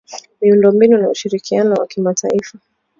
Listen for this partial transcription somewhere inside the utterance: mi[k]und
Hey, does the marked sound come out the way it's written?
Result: no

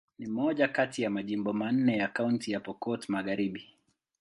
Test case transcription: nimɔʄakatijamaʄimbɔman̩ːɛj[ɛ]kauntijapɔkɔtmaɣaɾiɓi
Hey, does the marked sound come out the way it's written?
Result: no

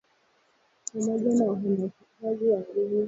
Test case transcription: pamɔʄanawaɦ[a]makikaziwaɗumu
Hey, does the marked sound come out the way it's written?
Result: yes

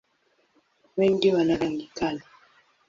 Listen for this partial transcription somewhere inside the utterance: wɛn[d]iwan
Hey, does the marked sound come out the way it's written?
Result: yes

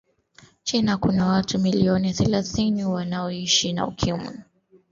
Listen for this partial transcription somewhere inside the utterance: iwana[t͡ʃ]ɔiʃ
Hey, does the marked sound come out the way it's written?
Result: no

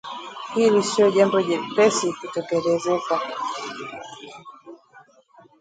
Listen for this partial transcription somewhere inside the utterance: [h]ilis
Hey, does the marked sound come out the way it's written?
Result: yes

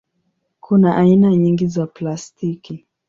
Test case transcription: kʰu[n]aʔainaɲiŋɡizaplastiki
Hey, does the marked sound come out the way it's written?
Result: yes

